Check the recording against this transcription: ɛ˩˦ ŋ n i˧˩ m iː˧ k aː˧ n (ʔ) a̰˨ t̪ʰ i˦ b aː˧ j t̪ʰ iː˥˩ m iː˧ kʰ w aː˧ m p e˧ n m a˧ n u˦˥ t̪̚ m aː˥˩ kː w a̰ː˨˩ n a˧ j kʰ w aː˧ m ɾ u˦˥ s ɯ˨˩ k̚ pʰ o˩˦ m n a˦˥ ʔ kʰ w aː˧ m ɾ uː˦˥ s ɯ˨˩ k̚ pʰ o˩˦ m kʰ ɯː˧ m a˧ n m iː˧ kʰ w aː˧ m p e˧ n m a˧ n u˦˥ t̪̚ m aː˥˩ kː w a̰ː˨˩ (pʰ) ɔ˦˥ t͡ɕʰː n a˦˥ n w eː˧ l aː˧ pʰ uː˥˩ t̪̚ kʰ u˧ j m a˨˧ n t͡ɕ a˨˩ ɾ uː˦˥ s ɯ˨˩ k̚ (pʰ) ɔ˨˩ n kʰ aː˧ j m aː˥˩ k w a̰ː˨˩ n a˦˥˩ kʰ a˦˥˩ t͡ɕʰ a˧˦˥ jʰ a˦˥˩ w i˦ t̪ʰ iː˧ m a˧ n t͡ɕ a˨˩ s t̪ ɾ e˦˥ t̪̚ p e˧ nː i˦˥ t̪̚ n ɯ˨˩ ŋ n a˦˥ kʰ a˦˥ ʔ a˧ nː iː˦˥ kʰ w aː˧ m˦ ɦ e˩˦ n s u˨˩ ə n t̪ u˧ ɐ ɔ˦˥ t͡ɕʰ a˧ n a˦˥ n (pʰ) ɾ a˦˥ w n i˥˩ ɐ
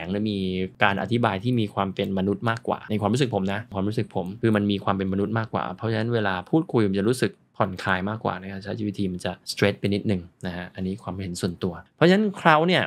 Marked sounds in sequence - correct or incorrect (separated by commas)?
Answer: correct, correct, correct, incorrect